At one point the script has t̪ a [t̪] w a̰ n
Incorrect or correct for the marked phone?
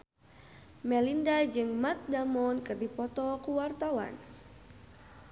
incorrect: none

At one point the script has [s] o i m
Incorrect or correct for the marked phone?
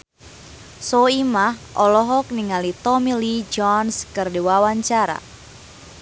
correct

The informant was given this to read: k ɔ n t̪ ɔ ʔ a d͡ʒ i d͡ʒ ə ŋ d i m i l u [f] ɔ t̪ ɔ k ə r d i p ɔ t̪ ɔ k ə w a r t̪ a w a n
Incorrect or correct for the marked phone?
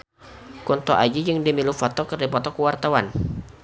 correct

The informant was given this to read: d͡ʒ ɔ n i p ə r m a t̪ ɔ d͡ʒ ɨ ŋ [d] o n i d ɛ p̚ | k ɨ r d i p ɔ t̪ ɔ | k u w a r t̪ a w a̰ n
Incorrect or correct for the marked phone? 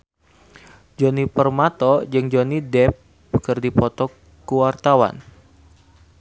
incorrect: d͡ʒ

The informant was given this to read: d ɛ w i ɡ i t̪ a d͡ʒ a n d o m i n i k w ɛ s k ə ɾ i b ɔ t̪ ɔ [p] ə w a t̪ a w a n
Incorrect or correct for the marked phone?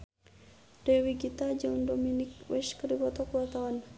incorrect: k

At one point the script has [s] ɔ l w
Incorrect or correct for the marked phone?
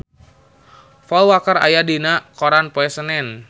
incorrect: f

